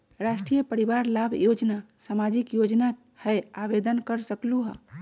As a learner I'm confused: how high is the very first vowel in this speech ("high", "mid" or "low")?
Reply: low